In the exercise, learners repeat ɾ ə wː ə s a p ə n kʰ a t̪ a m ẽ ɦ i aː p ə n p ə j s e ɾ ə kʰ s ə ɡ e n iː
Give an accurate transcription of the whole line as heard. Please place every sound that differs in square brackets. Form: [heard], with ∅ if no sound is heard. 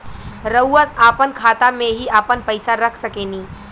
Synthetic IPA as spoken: ɾ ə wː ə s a p ə n kʰ a t̪ a m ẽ ɦ i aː p ə n p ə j s [a] ɾ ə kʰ s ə [k] e n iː